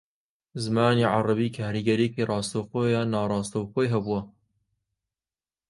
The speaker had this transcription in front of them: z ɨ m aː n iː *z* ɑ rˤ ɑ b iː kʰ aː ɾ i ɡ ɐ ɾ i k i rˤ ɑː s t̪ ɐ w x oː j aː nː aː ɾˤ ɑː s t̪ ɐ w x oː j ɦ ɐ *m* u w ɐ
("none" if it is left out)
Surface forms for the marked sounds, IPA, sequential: ʕ, b

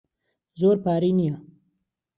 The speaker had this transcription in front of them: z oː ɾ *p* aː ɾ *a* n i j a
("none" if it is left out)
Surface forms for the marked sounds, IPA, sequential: p, i

